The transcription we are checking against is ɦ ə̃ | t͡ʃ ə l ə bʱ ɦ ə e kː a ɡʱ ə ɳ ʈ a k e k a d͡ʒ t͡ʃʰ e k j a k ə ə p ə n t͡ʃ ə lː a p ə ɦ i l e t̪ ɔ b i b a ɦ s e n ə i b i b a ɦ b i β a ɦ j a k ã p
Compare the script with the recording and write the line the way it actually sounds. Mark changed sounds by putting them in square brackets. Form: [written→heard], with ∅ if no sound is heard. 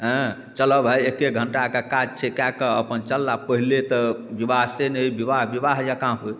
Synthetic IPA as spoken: ɦ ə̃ | t͡ʃ ə l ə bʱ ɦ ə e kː [a→e] ɡʱ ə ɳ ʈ a k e k a d͡ʒ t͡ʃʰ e k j a k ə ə p ə n t͡ʃ ə lː a p ə ɦ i l e t̪ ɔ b i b a ɦ s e n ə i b i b a ɦ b i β a ɦ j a k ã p